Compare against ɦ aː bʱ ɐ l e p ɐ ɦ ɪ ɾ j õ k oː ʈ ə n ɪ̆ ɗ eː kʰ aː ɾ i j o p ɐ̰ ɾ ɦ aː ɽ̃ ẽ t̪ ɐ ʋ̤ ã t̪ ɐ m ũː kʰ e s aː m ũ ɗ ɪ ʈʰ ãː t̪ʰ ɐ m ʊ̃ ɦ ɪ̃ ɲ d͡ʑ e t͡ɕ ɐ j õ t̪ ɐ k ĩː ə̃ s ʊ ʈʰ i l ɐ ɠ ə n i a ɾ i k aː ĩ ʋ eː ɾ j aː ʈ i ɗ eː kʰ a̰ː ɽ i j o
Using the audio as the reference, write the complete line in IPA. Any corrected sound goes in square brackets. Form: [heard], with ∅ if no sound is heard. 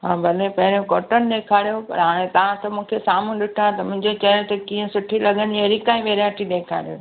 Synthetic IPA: ɦ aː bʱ ɐ l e p ɐ ɦ ɪ ɾ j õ k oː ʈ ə n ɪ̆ ɗ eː kʰ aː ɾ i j o p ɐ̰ ɾ ɦ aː ɽ̃ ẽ t̪ ɐ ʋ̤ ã t̪ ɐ m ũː kʰ e s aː m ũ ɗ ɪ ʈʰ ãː [t̪] ɐ m ʊ̃ ɦ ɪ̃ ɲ d͡ʑ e t͡ɕ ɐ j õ t̪ ɐ k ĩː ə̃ s ʊ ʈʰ i l ɐ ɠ ə n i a ɾ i k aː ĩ ʋ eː ɾ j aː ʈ i ɗ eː kʰ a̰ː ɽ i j o

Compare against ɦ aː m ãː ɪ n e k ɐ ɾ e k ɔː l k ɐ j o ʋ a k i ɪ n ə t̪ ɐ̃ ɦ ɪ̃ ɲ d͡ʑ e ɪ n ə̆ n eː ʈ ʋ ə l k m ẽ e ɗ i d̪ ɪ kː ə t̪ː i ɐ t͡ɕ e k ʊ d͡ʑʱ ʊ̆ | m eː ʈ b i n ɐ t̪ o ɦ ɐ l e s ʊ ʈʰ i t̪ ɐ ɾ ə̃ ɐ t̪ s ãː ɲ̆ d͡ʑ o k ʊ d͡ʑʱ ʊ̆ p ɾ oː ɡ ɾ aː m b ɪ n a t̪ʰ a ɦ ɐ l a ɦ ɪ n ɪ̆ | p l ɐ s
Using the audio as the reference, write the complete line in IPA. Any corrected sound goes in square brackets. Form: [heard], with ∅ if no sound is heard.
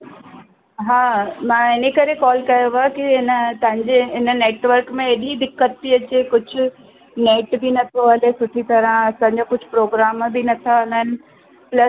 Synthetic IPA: ɦ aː m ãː ɪ n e k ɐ ɾ e k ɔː l k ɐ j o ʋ a k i ɪ n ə t̪ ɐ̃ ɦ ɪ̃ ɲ d͡ʑ e ɪ n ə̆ n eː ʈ ʋ ə [ɾ] k m ẽ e ɗ i d̪ ɪ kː ə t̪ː i ɐ t͡ɕ e k ʊ d͡ʑʱ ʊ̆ | [n] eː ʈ b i n ɐ [t̪ʰ] o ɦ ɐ l e s ʊ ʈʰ i t̪ ɐ ɾ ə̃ ɐ [∅] s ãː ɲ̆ d͡ʑ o k ʊ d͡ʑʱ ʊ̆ p ɾ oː ɡ ɾ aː m b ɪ n [ɐ] t̪ʰ a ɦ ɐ l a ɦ ɪ n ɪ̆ | p l ɐ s

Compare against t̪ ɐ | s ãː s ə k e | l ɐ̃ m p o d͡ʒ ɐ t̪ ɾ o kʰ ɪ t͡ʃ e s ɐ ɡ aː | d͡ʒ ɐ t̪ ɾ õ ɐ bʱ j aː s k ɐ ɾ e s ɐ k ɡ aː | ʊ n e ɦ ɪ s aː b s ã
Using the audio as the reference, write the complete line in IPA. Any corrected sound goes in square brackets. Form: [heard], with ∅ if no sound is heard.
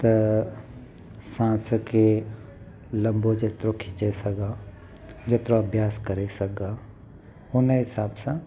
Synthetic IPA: t̪ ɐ | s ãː s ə k e | l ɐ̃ m [b] o d͡ʒ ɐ t̪ ɾ o kʰ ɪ t͡ʃ e s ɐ ɡ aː | d͡ʒ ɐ t̪ ɾ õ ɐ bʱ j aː s k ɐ ɾ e s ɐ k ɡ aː | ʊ n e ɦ ɪ s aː b s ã

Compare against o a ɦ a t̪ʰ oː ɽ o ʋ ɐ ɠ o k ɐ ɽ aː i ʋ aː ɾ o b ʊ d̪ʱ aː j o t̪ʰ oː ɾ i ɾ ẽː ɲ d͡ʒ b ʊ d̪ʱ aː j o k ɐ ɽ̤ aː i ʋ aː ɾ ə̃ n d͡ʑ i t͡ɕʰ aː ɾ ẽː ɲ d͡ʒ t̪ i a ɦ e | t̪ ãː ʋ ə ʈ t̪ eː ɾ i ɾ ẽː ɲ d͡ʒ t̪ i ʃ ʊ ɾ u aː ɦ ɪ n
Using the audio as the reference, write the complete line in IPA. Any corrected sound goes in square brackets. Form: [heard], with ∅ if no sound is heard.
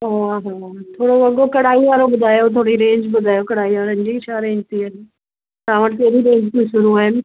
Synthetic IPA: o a ɦ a t̪ʰ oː ɽ o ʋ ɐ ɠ o k ɐ ɽ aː i ʋ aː ɾ o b ʊ d̪ʱ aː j o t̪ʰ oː [ɽ] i ɾ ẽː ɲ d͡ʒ b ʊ d̪ʱ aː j o k ɐ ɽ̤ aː i ʋ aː ɾ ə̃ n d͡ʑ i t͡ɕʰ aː ɾ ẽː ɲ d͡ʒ t̪ i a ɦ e | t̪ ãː ʋ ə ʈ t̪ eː ɾ i ɾ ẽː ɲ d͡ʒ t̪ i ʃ ʊ ɾ u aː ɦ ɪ n

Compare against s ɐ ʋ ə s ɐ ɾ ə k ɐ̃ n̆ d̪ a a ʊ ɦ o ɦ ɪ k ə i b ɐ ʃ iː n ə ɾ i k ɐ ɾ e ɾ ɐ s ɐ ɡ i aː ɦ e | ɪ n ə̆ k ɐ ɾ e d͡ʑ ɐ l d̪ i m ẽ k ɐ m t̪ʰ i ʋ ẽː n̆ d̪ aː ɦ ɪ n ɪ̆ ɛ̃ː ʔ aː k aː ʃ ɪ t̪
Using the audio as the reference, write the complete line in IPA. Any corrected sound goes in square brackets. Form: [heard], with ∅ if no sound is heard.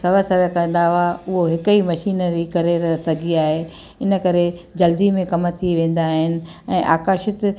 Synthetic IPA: s ɐ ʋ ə s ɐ ɾ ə k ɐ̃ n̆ d̪ a a ʊ ɦ o ɦ ɪ k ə i [m] ɐ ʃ iː n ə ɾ i k ɐ ɾ e ɾ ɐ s ɐ ɡ i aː ɦ e | ɪ n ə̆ k ɐ ɾ e d͡ʑ ɐ l d̪ i m ẽ k ɐ m t̪ʰ i ʋ ẽː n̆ d̪ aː ɦ ɪ n ɪ̆ ɛ̃ː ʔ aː k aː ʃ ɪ t̪

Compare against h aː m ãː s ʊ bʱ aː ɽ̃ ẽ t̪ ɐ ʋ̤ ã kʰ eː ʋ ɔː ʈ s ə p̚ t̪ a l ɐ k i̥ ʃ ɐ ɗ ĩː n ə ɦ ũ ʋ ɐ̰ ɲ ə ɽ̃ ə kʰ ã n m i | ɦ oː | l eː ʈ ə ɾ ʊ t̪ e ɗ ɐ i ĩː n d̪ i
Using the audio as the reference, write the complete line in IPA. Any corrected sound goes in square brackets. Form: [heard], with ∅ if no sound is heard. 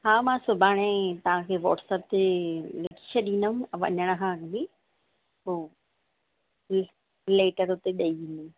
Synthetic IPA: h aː m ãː s ʊ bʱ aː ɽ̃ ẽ t̪ ɐ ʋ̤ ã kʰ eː ʋ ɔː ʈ s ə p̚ t̪ [e] l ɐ k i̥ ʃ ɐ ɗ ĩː n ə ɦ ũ ʋ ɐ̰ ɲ ə ɽ̃ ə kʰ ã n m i | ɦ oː | l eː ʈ ə ɾ ʊ t̪ e ɗ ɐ i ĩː n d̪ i

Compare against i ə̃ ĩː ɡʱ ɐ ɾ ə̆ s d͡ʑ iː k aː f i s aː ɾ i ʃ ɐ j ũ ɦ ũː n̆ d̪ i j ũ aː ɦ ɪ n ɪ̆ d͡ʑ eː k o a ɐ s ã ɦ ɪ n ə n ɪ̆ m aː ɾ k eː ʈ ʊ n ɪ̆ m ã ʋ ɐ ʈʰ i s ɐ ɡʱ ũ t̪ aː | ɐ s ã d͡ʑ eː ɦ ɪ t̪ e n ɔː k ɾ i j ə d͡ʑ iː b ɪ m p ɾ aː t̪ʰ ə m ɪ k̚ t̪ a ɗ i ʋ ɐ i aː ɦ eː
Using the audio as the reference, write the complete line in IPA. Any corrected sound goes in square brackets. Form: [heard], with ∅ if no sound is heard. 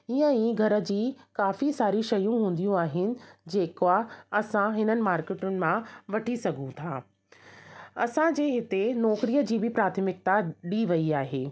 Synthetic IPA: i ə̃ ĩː ɡʱ ɐ ɾ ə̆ [∅] d͡ʑ iː k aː f i s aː ɾ i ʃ ɐ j ũ ɦ ũː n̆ d̪ i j ũ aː ɦ ɪ n ɪ̆ d͡ʑ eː k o a ɐ s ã ɦ ɪ n ə n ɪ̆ m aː ɾ k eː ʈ ʊ n ɪ̆ m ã ʋ ɐ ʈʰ i s ɐ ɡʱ ũ [t̪ʰ] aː | ɐ s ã d͡ʑ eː ɦ ɪ t̪ e n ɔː k ɾ i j ə d͡ʑ iː b ɪ [∅] p ɾ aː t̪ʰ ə m ɪ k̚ t̪ a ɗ i ʋ ɐ i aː ɦ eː

